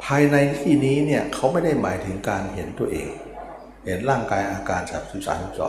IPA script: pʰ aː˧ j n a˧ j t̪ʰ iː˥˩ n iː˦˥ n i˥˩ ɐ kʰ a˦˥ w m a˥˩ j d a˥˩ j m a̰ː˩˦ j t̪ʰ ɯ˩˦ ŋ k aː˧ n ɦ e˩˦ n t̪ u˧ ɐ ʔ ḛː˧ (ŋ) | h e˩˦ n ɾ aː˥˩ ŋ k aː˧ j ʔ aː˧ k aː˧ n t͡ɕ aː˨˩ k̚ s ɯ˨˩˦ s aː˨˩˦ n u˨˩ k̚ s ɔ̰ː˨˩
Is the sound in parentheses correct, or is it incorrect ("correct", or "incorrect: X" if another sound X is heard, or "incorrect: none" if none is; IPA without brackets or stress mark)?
correct